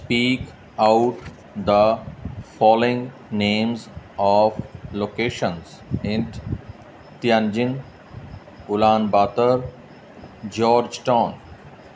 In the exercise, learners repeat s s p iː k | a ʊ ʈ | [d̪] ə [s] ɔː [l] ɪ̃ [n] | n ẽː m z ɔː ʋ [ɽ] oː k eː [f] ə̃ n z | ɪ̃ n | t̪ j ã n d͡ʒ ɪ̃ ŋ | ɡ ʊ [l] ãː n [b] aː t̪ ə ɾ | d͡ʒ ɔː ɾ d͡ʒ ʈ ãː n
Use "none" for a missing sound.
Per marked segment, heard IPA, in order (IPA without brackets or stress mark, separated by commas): d̪, f, l, ŋ, l, ʃ, l, b